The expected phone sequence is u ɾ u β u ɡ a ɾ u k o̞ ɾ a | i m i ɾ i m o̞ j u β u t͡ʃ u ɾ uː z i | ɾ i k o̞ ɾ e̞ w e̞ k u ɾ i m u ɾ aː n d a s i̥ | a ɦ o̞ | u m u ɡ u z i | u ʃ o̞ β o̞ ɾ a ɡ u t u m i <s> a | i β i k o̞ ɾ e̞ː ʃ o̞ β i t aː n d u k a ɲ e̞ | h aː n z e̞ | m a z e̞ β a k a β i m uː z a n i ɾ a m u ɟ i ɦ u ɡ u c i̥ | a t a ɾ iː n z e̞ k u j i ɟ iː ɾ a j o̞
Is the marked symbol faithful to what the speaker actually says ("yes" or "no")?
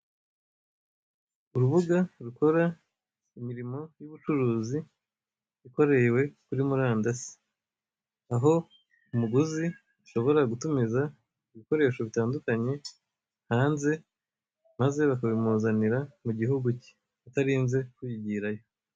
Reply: no